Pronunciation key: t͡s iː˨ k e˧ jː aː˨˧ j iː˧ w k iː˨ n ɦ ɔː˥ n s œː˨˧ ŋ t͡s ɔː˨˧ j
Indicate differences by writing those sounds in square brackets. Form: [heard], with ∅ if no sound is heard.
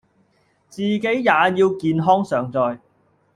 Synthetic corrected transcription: t͡s iː˨ k [e˨˥] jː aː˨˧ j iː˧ w k iː˨ n ɦ ɔː˥ [ŋ] s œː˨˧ ŋ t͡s ɔː˨˧ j